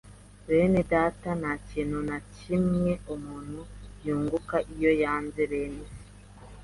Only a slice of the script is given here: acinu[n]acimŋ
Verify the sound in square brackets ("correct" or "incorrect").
correct